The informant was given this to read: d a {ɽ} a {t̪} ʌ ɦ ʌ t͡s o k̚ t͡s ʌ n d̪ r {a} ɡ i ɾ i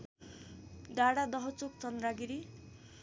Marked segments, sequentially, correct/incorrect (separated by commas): correct, incorrect, correct